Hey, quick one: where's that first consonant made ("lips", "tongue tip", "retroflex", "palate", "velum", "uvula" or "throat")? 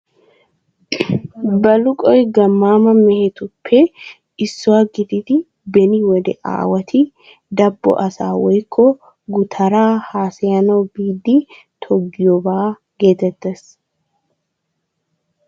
lips